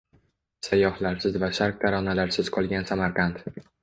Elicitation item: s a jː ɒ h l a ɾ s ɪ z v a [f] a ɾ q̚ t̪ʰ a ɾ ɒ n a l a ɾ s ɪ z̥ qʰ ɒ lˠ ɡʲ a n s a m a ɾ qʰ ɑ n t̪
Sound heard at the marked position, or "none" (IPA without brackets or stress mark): ʃ